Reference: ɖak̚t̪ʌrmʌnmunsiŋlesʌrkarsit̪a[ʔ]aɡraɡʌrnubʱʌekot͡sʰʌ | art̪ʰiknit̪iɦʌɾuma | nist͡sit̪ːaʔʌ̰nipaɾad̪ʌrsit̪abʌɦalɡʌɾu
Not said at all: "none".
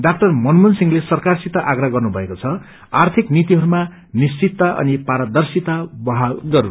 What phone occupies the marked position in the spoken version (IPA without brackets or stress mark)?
ʔ